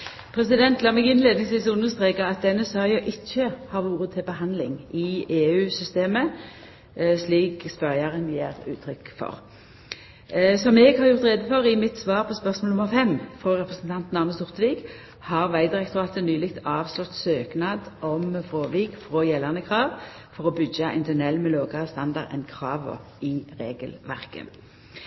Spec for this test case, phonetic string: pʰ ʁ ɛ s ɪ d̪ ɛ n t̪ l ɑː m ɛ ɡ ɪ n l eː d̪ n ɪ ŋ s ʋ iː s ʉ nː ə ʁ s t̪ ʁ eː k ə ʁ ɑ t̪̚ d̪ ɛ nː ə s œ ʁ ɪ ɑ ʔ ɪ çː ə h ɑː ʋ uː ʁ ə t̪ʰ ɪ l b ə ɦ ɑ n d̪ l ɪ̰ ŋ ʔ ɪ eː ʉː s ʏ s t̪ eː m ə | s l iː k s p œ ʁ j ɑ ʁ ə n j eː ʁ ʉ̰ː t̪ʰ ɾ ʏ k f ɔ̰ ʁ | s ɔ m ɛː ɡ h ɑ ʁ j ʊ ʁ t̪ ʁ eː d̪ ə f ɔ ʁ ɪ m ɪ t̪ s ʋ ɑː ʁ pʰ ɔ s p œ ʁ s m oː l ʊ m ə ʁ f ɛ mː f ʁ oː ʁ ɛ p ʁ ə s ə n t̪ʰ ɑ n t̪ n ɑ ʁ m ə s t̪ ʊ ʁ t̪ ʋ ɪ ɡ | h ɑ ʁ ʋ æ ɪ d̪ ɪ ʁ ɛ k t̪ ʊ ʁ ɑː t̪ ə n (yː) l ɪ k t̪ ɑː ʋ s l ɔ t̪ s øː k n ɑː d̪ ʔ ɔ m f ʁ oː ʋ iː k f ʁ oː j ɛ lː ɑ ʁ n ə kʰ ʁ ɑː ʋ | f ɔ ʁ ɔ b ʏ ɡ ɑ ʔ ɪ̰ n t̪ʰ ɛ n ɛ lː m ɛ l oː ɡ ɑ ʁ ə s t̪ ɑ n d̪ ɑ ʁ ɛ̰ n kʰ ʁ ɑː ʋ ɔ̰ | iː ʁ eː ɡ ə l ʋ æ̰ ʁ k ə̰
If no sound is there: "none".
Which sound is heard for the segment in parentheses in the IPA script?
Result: yː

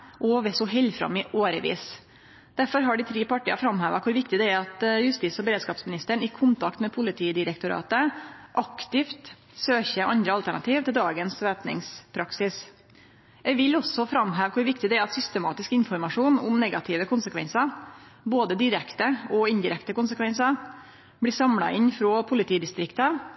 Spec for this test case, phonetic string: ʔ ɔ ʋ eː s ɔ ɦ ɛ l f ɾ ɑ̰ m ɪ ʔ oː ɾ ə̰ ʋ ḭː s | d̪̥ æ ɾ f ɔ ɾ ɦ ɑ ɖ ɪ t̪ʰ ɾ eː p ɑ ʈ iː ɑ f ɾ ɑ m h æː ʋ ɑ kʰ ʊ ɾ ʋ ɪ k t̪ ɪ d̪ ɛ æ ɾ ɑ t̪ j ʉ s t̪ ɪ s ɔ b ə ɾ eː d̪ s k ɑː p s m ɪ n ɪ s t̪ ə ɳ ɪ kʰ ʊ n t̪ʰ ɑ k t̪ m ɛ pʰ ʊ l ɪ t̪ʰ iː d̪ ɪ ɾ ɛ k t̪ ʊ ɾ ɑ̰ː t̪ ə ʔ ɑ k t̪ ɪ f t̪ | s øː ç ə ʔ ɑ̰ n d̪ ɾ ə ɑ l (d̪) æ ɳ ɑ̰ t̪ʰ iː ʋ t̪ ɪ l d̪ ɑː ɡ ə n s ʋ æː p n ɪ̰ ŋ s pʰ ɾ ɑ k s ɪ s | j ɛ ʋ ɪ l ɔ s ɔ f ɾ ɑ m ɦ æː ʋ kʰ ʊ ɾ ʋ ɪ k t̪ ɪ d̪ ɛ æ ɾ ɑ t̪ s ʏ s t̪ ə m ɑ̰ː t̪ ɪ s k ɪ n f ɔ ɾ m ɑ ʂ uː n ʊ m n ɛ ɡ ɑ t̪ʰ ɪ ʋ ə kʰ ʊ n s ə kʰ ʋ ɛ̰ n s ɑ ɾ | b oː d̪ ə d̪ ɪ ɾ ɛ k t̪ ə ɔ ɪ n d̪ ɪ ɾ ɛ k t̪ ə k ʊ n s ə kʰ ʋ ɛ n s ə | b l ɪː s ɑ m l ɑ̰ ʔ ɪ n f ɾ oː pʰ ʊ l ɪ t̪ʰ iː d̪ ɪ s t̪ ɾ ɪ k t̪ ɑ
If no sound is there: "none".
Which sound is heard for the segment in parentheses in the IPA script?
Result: t̪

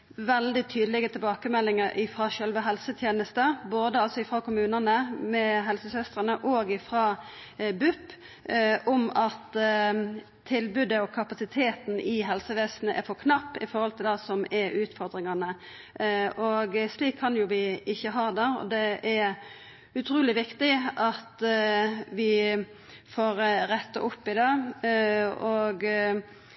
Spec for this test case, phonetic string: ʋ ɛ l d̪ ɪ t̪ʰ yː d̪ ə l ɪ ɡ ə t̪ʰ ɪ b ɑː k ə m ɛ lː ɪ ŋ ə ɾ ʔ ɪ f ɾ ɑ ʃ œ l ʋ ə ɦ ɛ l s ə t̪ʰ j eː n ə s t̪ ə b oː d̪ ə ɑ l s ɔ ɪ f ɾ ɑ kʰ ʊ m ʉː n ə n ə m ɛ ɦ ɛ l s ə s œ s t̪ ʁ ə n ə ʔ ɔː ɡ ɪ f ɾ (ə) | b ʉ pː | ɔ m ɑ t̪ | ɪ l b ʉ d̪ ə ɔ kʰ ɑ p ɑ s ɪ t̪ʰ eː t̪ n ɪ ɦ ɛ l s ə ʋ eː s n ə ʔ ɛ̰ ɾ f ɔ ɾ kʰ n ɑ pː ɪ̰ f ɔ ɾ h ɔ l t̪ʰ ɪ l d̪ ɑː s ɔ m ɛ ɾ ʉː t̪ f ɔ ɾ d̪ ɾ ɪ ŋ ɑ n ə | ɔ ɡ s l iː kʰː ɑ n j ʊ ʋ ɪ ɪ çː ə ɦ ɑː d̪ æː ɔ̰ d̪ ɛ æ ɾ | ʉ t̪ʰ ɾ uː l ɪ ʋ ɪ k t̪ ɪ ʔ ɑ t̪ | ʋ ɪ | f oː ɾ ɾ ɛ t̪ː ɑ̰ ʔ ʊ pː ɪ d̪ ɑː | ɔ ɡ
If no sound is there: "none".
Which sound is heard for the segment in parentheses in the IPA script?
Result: ɑ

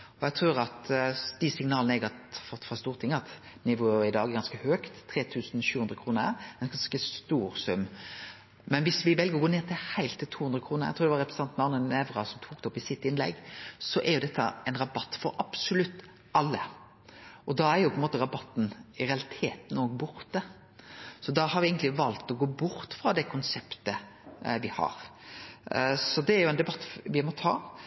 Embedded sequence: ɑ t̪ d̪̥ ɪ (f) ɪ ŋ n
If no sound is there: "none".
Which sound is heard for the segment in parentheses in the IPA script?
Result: s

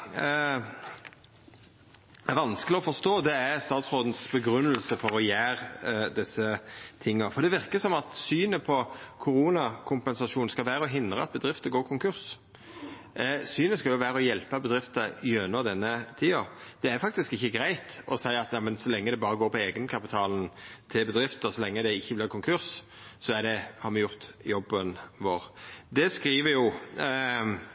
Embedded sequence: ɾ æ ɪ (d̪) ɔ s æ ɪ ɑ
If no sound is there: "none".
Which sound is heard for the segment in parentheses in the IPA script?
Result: t̪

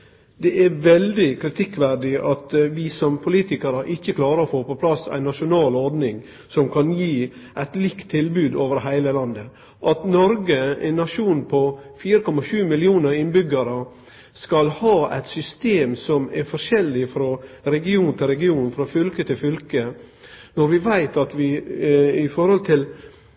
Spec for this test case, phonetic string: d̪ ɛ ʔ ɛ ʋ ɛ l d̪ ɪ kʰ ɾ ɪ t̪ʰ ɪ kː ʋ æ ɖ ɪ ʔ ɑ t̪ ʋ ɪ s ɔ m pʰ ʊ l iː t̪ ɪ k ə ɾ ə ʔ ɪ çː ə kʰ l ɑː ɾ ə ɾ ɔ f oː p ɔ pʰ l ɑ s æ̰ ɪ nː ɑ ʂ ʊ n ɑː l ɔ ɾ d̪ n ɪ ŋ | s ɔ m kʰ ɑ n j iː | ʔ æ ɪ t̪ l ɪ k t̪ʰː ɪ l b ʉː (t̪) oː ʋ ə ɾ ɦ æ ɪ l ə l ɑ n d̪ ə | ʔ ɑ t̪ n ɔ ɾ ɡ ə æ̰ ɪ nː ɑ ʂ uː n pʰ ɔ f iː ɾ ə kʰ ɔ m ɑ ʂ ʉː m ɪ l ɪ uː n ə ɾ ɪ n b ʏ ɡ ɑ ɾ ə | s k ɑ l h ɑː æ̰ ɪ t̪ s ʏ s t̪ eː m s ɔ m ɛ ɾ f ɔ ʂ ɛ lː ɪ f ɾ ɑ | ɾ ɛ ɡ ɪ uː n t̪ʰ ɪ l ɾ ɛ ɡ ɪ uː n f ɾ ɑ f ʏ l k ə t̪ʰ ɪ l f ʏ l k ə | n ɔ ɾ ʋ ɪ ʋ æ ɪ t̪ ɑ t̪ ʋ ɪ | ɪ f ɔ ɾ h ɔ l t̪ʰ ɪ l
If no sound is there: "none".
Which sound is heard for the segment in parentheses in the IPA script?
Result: d̪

